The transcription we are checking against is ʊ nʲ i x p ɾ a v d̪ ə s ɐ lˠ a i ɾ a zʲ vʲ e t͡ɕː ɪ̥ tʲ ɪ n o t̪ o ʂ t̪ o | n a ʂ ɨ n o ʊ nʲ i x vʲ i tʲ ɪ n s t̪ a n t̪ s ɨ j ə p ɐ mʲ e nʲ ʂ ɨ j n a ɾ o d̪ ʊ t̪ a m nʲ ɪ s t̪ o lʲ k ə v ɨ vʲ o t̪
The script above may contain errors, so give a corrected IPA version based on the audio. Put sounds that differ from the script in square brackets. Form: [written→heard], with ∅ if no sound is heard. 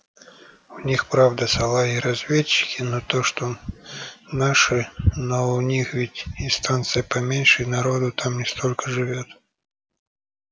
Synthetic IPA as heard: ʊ nʲ i x p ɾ a v d̪ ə s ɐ lˠ a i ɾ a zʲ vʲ e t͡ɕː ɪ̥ [tʲ→kʲ] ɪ n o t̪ o ʂ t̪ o | n a ʂ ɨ n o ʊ nʲ i x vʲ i tʲ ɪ n s t̪ a n t̪ s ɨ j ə p ɐ mʲ e nʲ ʂ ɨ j n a ɾ o d̪ ʊ t̪ a m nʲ ɪ s t̪ o lʲ k ə [v→ʐ] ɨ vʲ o t̪